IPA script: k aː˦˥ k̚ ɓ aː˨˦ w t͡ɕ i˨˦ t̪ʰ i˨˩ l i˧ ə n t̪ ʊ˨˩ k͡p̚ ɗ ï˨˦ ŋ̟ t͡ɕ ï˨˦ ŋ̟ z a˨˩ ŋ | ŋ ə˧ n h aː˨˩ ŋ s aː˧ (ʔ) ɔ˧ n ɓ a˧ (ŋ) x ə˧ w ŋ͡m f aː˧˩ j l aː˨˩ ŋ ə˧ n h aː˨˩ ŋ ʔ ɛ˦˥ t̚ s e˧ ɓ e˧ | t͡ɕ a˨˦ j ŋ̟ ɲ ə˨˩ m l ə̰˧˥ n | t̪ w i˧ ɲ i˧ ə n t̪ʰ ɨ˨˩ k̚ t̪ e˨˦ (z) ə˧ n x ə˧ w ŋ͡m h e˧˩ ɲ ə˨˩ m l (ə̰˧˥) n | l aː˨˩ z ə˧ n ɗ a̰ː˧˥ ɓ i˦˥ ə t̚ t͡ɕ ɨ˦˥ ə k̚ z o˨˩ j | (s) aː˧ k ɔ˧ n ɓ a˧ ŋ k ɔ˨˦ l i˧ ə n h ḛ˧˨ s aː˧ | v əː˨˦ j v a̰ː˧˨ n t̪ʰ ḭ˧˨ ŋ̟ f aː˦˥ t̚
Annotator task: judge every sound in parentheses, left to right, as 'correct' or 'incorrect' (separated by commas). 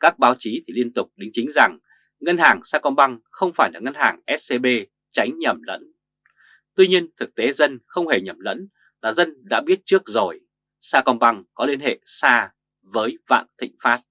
incorrect, correct, correct, correct, correct